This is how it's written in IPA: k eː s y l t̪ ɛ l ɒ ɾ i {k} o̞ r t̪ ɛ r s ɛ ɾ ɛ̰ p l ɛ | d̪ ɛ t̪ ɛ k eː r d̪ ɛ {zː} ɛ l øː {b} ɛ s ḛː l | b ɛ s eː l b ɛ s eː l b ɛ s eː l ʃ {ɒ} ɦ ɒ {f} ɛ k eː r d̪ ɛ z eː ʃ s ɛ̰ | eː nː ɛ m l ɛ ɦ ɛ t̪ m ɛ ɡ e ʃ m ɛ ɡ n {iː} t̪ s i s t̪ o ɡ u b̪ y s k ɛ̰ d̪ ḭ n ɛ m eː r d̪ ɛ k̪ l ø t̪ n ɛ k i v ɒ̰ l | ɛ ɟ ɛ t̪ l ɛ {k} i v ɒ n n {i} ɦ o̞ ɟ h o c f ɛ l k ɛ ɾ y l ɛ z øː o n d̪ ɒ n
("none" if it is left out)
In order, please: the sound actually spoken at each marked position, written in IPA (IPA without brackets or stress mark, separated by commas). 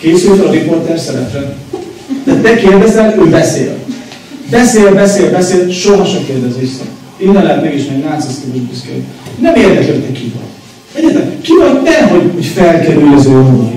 p, z, b, o, ʃ, aː, k, ɛ